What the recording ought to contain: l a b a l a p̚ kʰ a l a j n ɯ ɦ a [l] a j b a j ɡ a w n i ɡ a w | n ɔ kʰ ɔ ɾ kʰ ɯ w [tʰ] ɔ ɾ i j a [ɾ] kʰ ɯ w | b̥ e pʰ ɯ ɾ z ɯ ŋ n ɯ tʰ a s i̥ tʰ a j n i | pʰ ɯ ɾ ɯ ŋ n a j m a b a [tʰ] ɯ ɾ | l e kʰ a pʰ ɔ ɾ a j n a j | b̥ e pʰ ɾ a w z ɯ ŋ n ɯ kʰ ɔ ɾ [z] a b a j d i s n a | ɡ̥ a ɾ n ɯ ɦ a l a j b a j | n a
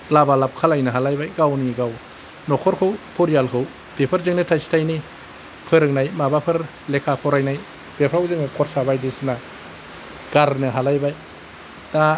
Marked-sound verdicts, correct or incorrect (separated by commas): correct, incorrect, incorrect, incorrect, incorrect